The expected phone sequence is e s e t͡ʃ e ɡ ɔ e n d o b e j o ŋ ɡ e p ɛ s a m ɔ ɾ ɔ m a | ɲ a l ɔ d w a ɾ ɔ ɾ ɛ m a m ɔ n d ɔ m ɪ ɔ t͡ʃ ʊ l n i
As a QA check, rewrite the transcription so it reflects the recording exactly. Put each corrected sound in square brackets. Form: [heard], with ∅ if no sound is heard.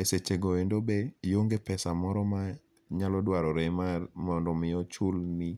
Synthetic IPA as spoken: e s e t͡ʃ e ɡ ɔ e n d o b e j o ŋ ɡ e p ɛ s a m ɔ ɾ ɔ m a | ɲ a l ɔ d w a ɾ ɔ ɾ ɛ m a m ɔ n d ɔ m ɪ ɔ t͡ʃ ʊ l n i

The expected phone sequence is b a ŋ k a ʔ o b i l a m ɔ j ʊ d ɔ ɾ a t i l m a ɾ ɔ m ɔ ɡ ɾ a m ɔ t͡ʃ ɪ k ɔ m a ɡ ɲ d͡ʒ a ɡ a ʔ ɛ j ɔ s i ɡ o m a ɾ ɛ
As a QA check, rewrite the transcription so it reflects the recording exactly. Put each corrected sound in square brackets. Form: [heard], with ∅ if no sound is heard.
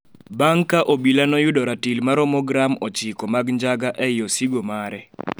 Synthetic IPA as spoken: b a ŋ k a ʔ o b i l a [n] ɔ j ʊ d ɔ ɾ a t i l m a ɾ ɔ m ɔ ɡ ɾ a m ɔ t͡ʃ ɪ k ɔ m a ɡ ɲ d͡ʒ a ɡ a ʔ ɛ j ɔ s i ɡ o m a ɾ ɛ

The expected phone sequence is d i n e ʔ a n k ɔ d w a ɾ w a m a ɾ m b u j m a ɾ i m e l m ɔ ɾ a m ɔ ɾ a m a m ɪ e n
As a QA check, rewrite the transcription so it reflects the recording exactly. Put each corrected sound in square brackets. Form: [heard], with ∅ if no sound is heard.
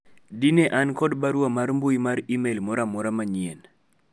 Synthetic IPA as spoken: d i n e ʔ a n k ɔ d [b] a ɾ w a m a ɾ m b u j m a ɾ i m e l m ɔ ɾ a m ɔ ɾ a m a [ɲ] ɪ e n

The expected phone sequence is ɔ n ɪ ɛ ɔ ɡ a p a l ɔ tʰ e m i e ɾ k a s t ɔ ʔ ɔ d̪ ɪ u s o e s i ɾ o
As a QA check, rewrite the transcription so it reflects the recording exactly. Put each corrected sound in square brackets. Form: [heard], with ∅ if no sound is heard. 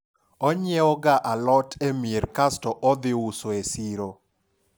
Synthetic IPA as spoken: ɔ [ɲ] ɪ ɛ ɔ ɡ a [ʔ] a l ɔ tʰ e m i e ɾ k a s t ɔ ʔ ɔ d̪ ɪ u s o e s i ɾ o

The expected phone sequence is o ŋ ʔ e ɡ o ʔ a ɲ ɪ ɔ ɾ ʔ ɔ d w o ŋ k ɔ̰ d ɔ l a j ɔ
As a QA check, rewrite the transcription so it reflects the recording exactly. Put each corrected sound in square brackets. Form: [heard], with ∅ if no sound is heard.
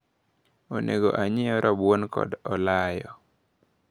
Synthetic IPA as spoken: o [n] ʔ e ɡ o ʔ a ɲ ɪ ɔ ɾ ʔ ɔ [b] w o [n] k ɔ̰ d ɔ l a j ɔ

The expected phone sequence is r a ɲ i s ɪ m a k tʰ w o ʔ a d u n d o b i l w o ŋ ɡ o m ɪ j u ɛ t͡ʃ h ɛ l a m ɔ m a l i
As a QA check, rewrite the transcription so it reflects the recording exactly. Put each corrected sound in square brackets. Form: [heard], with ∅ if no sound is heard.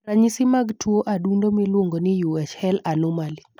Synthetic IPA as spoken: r a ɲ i s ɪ m a [ɡ] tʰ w o ʔ a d u n d o [m] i l w o ŋ ɡ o [n] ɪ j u ɛ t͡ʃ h ɛ l a [n] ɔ m a l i

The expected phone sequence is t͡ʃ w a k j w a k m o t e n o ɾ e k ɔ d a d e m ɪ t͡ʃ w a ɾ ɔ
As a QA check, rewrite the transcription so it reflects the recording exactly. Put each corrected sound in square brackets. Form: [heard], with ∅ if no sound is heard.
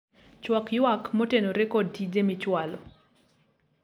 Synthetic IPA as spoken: t͡ʃ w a k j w a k m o t e n o ɾ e k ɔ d [i] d e m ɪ t͡ʃ w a [l] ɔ

